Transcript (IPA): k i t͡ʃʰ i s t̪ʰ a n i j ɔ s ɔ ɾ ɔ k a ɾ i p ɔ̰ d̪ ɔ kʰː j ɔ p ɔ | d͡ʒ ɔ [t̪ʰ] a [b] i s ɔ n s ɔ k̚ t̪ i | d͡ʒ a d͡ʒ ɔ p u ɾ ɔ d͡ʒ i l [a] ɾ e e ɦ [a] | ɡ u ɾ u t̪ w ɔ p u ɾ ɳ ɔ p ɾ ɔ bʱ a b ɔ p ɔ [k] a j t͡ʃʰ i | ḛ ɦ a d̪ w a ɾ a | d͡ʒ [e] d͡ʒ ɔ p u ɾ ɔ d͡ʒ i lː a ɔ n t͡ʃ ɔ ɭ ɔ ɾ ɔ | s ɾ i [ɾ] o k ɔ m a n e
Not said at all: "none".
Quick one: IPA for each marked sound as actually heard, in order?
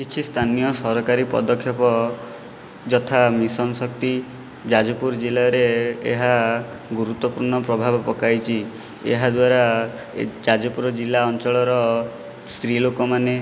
t̪ʰ, m, a, a, k, a, l

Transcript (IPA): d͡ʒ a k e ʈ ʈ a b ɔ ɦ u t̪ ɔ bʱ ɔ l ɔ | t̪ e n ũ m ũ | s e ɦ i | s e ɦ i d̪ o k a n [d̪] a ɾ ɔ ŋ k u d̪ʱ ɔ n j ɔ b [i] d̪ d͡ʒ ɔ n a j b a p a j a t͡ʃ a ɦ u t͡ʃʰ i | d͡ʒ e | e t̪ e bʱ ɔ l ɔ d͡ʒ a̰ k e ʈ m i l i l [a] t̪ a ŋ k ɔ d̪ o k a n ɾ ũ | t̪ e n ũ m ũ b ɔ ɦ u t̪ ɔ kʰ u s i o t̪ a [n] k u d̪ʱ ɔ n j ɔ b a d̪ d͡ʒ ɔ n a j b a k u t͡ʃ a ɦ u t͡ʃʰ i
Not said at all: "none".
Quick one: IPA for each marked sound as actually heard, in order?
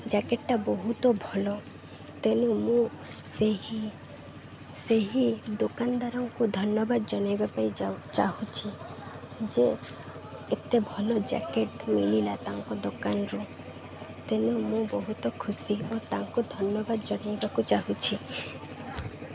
d̪, a, a, ŋ

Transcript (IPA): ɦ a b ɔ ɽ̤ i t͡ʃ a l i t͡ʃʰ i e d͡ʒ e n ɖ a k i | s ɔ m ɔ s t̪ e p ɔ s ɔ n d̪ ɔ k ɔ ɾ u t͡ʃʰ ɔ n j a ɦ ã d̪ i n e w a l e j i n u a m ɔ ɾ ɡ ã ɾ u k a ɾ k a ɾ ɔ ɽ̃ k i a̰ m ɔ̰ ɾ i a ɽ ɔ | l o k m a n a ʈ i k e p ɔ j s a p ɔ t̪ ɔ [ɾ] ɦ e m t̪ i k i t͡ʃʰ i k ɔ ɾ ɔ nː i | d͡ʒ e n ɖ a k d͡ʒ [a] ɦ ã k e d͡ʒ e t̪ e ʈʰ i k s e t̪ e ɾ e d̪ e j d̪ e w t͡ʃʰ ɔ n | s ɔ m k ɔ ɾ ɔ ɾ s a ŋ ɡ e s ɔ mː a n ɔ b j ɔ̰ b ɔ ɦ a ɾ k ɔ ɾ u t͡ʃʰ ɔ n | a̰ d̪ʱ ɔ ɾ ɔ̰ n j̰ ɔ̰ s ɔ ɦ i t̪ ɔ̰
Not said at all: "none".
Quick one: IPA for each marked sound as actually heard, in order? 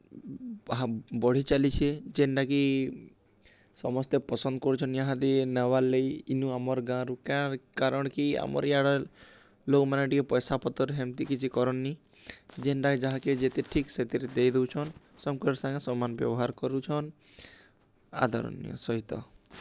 ɾ, a

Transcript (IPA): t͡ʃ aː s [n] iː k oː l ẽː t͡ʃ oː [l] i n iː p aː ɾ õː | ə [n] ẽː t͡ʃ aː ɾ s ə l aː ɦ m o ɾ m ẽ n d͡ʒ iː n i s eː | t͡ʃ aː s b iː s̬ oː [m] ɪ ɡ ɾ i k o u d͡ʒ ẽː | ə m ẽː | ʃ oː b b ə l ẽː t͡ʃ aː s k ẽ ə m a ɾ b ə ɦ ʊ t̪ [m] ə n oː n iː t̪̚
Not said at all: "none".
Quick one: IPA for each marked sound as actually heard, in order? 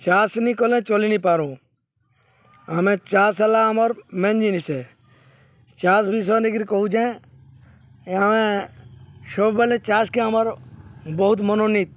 n, l, m, n, m

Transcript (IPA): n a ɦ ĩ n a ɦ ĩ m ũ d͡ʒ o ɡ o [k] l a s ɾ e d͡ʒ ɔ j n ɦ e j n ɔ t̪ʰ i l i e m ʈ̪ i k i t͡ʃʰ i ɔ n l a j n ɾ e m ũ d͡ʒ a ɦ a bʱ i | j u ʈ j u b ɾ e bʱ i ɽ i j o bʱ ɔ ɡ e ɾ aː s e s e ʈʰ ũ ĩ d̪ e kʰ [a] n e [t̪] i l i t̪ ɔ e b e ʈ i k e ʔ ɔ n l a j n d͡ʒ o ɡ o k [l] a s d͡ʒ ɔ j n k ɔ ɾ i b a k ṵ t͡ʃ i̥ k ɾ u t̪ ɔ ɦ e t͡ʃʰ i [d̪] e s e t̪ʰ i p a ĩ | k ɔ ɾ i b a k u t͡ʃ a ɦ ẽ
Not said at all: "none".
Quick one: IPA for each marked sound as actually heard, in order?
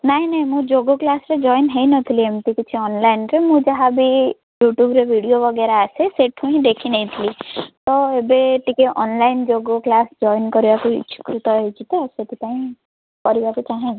k, i, t̪ʰ, l, t̪

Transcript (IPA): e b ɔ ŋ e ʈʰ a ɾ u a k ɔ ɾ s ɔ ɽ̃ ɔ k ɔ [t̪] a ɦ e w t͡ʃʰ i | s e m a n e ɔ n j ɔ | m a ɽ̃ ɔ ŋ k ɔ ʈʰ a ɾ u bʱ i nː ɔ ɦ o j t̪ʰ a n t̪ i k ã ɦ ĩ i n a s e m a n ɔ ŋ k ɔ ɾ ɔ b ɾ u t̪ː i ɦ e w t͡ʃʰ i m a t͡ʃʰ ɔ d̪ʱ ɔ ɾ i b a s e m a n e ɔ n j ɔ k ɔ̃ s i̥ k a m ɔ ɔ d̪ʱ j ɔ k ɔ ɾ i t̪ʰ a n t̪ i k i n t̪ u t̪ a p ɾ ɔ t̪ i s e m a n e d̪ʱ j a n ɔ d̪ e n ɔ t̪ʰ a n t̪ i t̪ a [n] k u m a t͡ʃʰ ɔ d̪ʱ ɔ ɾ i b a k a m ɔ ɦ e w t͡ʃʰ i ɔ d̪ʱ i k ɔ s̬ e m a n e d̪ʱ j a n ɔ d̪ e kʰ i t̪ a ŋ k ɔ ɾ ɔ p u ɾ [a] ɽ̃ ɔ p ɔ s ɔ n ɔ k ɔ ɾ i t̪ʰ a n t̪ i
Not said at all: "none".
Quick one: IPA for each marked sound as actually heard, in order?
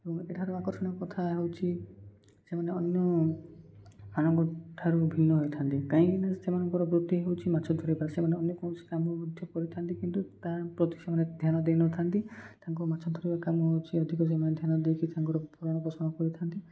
t̪ʰ, ŋ, a

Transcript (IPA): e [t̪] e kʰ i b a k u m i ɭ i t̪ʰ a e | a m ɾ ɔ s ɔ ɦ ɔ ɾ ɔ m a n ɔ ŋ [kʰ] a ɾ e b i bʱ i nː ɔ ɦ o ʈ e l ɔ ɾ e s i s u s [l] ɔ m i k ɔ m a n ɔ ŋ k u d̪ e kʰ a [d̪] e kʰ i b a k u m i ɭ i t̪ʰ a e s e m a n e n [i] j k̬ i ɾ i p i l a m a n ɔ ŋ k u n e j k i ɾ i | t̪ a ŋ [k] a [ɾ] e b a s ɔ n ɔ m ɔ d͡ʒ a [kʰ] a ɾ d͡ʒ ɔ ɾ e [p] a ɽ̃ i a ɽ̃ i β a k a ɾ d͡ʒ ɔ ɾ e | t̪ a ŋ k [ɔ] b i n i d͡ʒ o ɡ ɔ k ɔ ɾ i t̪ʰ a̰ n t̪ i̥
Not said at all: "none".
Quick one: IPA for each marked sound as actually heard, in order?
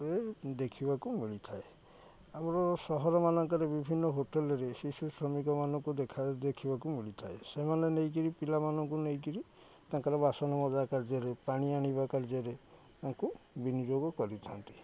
d̪, k, ɾ, d̪, e, k, ɾ, k, p, u

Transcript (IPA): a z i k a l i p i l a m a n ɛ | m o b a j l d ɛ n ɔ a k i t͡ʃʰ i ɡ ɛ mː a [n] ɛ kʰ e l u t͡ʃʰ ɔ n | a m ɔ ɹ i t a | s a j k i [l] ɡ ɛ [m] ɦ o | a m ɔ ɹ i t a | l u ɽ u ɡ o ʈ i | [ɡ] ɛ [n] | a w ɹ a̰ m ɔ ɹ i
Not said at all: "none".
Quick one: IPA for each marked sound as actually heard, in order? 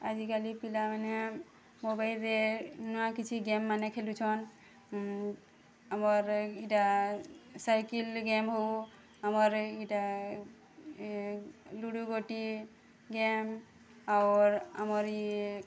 n, l, m, ɡ, m

